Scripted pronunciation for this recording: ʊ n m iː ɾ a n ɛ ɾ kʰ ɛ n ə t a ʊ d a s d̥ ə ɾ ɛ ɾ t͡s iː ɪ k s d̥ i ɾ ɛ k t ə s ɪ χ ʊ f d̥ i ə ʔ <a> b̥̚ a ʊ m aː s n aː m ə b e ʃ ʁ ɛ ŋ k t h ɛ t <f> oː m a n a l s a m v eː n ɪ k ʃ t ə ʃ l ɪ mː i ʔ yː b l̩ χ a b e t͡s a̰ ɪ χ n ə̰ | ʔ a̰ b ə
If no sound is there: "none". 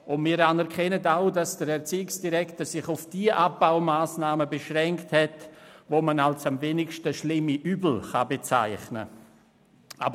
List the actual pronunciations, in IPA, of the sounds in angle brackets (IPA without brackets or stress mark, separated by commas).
a, v